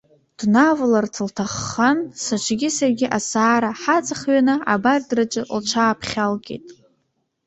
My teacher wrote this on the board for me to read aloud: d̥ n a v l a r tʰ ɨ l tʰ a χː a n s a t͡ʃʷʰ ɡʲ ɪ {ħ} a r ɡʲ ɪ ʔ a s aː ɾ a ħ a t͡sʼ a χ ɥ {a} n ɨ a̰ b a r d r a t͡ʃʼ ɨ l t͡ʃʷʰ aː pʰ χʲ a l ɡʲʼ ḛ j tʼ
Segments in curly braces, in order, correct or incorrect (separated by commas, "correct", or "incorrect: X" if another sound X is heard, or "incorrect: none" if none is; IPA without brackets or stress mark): incorrect: s, correct